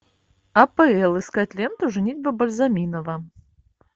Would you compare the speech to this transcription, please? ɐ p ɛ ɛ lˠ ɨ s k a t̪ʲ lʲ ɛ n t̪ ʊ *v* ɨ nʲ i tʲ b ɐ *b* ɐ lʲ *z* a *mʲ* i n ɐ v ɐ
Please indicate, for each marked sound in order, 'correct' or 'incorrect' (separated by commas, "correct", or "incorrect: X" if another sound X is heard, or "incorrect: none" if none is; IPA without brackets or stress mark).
incorrect: ʐ, correct, correct, correct